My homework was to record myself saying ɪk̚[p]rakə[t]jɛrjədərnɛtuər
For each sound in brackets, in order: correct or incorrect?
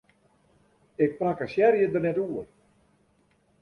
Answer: correct, incorrect: s

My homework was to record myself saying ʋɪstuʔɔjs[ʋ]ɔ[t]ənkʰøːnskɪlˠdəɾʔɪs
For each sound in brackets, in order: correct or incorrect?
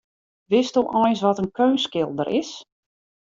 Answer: correct, correct

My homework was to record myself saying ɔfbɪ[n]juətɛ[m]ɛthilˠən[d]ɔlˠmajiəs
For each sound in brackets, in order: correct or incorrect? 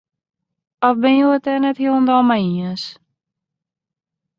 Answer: correct, incorrect: n, correct

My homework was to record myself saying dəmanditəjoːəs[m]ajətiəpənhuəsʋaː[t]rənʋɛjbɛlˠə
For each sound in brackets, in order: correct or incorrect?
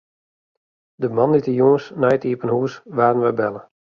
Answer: incorrect: n, incorrect: none

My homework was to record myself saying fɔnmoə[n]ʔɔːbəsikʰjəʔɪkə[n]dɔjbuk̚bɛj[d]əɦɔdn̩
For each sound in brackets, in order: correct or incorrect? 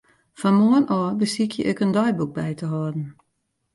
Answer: correct, correct, incorrect: t

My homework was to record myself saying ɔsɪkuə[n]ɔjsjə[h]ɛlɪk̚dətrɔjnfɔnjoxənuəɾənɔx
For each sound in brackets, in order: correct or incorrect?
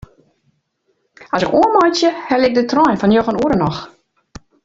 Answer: incorrect: m, correct

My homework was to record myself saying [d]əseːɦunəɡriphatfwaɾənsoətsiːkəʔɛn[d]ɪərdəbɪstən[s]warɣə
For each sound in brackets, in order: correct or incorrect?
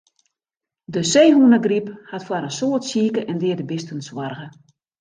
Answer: correct, correct, correct

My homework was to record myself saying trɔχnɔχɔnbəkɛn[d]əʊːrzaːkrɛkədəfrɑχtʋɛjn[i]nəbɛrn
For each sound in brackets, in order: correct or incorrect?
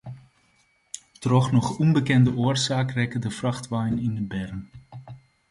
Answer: correct, incorrect: ɪ

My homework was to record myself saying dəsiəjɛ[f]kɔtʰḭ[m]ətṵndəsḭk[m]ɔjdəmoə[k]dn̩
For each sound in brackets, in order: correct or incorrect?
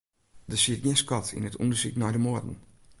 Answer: incorrect: s, incorrect: n, incorrect: n, incorrect: none

